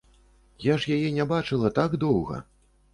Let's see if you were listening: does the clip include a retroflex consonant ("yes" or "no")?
yes